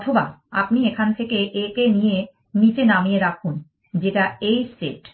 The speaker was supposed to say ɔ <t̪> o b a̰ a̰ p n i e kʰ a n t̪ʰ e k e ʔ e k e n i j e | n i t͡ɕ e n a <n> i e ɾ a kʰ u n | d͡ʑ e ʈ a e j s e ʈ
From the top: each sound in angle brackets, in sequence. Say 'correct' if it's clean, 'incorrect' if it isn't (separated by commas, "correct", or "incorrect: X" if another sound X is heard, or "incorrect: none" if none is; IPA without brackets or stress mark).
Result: incorrect: t̪ʰ, incorrect: m